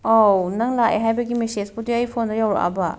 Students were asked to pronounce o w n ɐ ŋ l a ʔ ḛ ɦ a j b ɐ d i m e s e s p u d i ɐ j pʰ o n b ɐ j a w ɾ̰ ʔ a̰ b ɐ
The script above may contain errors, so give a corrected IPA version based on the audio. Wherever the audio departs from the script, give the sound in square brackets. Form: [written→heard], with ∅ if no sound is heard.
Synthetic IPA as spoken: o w n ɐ ŋ l a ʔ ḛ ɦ a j b ɐ [d→ɡ] i m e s e s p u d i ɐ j pʰ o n [b→d] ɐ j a w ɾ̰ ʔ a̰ b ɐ